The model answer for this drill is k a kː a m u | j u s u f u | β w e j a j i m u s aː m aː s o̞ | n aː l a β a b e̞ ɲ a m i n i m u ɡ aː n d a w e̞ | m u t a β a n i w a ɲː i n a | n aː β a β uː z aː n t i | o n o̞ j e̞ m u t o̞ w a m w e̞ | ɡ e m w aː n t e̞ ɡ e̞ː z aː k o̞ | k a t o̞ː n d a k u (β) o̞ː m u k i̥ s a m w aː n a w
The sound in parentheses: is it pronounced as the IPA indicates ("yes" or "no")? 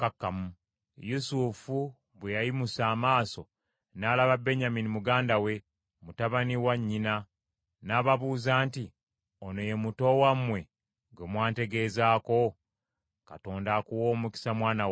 no